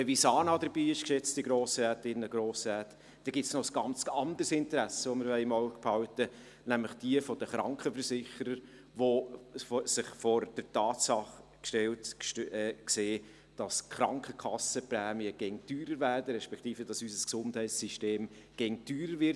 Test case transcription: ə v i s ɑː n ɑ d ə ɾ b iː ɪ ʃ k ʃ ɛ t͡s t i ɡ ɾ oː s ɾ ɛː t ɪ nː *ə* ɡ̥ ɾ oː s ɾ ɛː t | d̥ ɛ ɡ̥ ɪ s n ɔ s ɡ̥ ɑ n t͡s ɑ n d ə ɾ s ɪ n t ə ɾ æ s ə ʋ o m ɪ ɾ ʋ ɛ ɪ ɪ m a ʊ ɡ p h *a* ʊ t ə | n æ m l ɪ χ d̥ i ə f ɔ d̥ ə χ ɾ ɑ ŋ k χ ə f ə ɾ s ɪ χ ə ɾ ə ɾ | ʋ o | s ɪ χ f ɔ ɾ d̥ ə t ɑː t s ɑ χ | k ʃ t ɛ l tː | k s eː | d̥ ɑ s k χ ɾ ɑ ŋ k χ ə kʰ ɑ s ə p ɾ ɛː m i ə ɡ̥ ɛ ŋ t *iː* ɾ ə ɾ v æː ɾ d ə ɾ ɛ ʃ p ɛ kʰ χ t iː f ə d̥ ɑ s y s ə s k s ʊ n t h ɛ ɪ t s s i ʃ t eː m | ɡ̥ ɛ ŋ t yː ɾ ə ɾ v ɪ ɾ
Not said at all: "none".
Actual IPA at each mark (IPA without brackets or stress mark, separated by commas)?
ə, ɑ, yː